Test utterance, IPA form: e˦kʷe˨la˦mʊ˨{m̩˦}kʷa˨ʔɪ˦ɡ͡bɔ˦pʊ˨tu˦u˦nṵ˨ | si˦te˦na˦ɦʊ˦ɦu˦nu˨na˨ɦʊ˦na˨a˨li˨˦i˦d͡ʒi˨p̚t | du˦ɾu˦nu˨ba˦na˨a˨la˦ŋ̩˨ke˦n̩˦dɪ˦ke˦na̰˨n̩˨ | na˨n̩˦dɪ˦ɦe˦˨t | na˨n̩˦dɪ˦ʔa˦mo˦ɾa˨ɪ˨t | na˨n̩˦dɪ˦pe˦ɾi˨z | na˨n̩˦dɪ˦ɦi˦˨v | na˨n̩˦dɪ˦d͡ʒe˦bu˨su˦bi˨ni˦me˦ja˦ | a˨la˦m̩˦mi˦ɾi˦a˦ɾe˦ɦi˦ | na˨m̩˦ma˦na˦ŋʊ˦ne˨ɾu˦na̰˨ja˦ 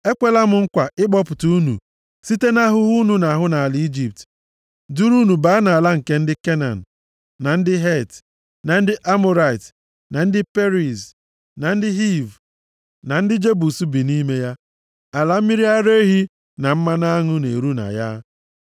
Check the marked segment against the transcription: incorrect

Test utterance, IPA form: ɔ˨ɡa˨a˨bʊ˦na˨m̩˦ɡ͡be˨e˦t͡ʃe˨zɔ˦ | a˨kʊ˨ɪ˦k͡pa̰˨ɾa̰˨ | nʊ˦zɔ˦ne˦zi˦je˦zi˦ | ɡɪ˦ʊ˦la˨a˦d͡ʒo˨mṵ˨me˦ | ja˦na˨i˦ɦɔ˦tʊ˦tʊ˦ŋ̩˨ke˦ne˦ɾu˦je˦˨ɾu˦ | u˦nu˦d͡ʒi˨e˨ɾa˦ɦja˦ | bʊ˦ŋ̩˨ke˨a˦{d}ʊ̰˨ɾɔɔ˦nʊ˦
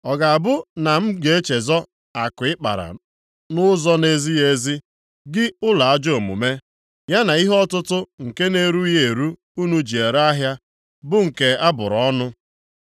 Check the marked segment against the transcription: incorrect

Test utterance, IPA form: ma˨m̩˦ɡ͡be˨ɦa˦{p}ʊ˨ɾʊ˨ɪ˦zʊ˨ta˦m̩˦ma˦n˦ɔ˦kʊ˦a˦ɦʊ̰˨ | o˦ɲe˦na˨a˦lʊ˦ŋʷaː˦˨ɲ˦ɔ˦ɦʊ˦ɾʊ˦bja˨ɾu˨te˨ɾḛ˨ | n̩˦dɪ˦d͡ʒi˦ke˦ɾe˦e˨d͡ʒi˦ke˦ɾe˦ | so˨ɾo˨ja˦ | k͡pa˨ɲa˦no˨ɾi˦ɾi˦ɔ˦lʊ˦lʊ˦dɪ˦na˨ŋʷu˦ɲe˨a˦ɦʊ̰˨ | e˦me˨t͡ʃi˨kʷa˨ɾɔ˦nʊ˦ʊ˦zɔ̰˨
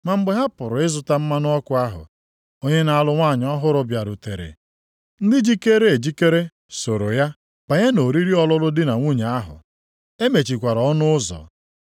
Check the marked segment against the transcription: correct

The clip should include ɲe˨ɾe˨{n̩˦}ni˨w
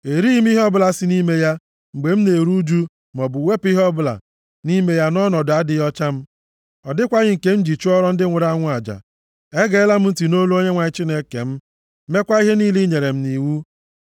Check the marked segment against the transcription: incorrect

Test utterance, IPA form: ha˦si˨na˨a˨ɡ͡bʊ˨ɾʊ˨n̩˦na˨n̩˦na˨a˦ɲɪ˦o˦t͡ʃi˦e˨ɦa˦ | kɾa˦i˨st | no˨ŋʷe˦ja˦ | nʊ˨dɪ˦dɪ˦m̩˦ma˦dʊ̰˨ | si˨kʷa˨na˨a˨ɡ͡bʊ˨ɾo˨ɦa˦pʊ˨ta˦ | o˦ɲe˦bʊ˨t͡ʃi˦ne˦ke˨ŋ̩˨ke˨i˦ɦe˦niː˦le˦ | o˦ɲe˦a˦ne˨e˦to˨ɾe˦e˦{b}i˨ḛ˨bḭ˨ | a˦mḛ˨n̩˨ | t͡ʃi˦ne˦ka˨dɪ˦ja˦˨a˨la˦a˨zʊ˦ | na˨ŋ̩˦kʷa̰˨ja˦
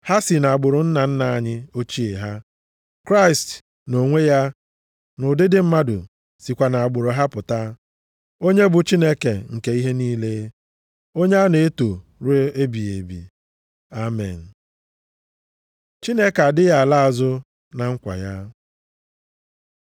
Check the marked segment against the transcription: correct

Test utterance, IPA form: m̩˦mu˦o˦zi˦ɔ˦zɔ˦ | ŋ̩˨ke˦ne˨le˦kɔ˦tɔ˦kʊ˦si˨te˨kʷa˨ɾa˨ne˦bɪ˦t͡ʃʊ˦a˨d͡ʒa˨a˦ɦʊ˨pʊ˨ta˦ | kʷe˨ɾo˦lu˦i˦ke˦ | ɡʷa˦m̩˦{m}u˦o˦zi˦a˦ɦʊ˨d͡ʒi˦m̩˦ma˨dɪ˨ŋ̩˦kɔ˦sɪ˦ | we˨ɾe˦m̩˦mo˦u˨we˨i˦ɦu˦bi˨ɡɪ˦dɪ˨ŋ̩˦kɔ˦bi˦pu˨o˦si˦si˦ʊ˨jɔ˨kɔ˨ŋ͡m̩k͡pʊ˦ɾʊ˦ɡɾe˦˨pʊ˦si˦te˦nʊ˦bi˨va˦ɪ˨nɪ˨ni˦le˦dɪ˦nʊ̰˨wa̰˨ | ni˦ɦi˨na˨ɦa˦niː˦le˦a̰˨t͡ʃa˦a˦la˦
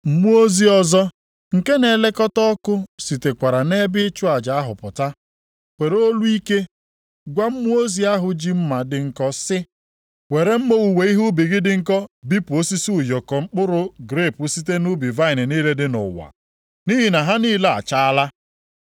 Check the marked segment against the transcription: correct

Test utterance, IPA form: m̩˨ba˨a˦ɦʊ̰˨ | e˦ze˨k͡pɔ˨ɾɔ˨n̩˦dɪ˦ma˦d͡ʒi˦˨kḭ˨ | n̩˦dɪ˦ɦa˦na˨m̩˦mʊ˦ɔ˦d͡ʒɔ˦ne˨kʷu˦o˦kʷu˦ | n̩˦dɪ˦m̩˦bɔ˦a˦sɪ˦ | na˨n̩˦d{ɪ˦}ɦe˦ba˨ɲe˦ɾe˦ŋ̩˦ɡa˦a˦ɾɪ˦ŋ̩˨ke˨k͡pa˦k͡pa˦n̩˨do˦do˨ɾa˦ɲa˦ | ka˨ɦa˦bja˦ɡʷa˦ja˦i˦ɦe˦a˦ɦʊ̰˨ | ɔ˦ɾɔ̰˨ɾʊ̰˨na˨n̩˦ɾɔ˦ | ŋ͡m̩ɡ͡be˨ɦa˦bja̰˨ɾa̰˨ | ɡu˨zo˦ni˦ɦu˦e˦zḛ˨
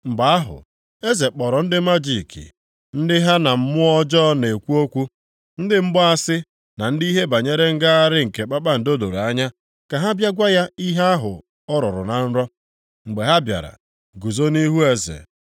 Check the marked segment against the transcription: incorrect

